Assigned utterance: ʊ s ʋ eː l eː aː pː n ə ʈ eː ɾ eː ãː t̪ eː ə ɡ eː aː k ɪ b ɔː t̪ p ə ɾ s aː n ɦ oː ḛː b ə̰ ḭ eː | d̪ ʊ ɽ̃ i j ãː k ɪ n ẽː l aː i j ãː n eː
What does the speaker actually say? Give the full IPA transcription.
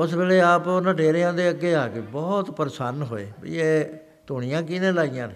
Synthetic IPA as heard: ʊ s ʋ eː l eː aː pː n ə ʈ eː ɾ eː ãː d̪ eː ə ɡ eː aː k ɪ b ɔː t̪ p ə ɾ s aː n ɦ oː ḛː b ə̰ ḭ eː | t̪ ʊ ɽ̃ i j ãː k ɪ n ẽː l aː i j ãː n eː